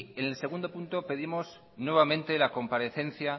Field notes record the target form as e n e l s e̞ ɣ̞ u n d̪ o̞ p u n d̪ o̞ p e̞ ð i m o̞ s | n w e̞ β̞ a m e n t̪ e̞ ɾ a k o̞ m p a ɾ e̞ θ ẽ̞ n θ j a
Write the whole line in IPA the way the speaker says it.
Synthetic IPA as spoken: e n e l s e̞ ɣ̞ u n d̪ o̞ p u n t̪ o̞ p e̞ ð i m o̞ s | n w e̞ β̞ a m ẽ n t̪ e̞ l a k o̞ m p a ɾ e̞ θ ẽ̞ n θ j a

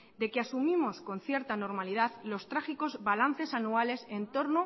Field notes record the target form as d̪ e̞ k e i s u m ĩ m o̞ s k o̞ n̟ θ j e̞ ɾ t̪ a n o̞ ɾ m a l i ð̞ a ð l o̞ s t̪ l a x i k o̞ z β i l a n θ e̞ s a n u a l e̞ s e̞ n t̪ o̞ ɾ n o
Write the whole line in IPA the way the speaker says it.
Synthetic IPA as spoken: d̪ e̞ k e a s u m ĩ m o̞ s k o̞ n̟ θ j e̞ ɾ t̪ a n o̞ ɾ m a l i ð̞ a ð l o̞ s t̪ ɾ a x i k o̞ z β a l a n θ e̞ s a n u a l e̞ s e̞ n t̪ o̞ ɾ n o

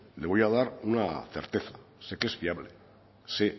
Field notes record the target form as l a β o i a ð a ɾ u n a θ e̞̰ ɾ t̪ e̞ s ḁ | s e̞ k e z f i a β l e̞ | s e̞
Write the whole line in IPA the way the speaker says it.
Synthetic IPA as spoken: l e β o j a ð a ɾ u n a θ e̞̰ ɾ t̪ e̞ θ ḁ | s e̞ k e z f i a β l e̞ | s e̞

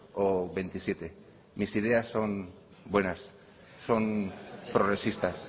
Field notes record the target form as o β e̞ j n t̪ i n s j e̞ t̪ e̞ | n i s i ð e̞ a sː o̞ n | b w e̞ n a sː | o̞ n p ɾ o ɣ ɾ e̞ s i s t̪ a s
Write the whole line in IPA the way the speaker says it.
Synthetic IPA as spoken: o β e̞ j n t̪ i s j e̞ t̪ e̞ | m i s i ð e̞ a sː o̞ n | b w e̞ n a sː | o̞ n p ɾ o ɣ ɾ e̞ s i s t̪ a s

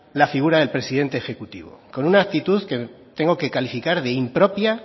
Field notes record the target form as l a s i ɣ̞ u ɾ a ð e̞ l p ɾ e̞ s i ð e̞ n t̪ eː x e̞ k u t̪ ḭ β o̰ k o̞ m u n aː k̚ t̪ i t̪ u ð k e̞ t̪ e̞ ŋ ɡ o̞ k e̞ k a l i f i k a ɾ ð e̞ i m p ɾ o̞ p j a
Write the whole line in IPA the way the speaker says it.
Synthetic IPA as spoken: l a f i ɣ̞ u ɾ a ð e̞ l p ɾ e̞ s i ð e̞ n t̪ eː x e̞ k u t̪ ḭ β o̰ k o̞ n u n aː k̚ t̪ i t̪ u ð k e̞ t̪ e̞ ŋ ɡ o̞ k e̞ k a l i f i k a ɾ ð e̞ i m p ɾ o̞ p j a

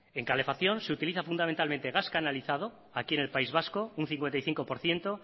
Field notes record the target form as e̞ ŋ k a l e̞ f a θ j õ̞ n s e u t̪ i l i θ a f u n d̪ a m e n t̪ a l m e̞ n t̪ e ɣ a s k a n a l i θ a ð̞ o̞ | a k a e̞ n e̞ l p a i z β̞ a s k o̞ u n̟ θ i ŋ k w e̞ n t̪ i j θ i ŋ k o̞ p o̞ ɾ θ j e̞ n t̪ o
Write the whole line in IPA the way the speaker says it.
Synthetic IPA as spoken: e̞ ŋ k a l e̞ f a θ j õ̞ n s e u t̪ i l i θ a f u n d̪ a m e n t̪ a l m e̞ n t̪ e ɣ a s k a n a l i θ a ð̞ o̞ | a k i e̞ n e̞ l p a i z β̞ a s k o̞ u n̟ θ i ŋ k w e̞ n t̪ a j θ i ŋ k o̞ p o̞ ɾ θ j e̞ n t̪ o

